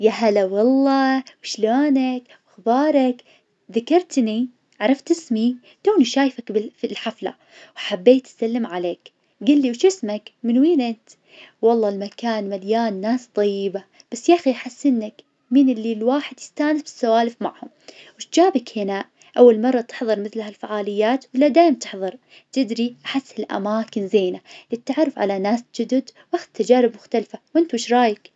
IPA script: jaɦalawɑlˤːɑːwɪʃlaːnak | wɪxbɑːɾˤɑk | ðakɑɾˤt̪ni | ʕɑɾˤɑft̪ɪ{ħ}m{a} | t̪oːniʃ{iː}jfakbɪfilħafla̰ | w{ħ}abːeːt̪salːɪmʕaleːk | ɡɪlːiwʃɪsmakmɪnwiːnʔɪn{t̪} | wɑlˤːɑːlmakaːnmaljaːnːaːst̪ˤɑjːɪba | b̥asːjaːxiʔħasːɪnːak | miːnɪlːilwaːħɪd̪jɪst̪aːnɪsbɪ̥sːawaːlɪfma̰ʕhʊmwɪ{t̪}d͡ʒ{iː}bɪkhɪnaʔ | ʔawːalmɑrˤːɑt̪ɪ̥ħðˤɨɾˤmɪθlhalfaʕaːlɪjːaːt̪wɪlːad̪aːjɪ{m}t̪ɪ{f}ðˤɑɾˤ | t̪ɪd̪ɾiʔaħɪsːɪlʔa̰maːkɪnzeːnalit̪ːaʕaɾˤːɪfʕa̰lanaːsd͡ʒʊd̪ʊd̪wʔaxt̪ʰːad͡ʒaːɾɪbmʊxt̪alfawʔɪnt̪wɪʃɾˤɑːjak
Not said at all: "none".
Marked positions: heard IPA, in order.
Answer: s, i, aː, ħ, t̪, t̪, aː, m, ħ

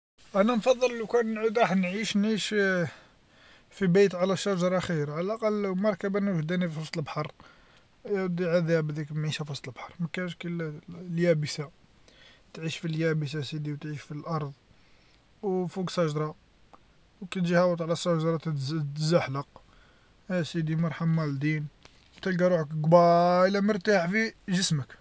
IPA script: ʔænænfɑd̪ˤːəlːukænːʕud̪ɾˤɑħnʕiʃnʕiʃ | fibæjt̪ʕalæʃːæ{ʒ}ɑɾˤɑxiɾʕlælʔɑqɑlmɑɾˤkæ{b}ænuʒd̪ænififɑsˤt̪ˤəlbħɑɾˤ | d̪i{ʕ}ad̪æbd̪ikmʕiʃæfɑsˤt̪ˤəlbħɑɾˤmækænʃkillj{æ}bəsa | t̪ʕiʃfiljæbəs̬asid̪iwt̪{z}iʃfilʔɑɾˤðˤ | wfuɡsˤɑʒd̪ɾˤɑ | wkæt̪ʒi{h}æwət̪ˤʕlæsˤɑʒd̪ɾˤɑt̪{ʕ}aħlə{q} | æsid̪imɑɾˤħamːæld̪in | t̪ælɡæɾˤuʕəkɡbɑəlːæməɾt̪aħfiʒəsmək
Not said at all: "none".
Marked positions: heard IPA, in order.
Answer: ʒ, b, ʕ, æ, ʕ, h, z, q

